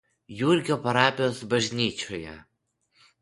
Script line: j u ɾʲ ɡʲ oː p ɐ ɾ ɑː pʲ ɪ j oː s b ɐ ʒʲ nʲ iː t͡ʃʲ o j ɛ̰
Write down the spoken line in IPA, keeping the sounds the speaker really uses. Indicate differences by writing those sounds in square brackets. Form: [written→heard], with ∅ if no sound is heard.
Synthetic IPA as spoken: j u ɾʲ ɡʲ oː p ɐ ɾ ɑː pʲ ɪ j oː s b ɐ ʒʲ nʲ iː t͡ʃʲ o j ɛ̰